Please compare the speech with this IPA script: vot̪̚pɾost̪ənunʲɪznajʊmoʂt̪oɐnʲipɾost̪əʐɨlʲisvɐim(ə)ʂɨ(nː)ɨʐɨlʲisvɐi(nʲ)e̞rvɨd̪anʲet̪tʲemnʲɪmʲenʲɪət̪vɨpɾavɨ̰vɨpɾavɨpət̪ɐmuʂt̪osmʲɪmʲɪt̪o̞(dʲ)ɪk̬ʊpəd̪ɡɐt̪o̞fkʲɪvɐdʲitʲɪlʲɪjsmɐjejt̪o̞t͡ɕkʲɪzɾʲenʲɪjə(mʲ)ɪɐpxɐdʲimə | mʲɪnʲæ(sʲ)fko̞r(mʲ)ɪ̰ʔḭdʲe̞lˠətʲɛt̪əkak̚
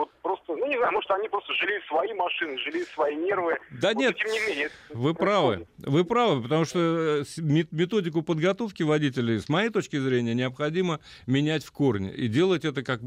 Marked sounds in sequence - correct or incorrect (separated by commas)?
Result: incorrect, incorrect, correct, correct, incorrect, incorrect, incorrect